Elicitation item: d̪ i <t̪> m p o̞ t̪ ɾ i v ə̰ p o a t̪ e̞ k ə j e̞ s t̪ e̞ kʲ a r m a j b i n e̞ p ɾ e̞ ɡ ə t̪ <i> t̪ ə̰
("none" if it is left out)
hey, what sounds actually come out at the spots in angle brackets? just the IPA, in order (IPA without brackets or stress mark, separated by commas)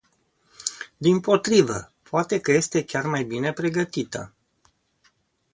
none, i